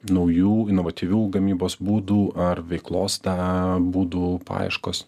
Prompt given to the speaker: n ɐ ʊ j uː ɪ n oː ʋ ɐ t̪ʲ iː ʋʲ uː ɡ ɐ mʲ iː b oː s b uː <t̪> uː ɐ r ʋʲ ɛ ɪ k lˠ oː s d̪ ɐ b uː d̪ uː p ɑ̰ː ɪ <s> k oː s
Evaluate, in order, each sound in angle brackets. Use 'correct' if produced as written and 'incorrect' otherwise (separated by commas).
incorrect, incorrect